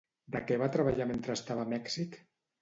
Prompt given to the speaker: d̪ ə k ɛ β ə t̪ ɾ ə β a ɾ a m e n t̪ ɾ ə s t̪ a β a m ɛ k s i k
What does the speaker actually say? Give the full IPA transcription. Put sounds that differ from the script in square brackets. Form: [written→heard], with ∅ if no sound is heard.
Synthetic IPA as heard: d̪ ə k ɛ β [ə→a] t̪ ɾ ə β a [ɾ→ʎ] a m e n t̪ ɾ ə s t̪ a β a m ɛ k s i k